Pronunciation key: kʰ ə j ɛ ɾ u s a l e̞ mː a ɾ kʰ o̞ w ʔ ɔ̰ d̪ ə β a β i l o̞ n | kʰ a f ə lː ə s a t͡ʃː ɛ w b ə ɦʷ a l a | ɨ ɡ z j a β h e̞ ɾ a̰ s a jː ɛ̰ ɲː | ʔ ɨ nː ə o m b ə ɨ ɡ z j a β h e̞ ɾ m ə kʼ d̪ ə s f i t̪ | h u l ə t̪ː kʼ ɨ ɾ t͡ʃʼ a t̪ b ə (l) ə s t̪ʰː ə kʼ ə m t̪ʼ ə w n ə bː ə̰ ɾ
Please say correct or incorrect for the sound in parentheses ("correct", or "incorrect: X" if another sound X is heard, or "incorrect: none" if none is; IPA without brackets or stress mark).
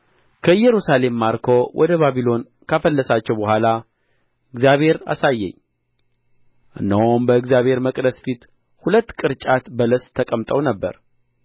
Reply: correct